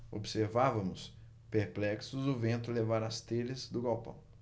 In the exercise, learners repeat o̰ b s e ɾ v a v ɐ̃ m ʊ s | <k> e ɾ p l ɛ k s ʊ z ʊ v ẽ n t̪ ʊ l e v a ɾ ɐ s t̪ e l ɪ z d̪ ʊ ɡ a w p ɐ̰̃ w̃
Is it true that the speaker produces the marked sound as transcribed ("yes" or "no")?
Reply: no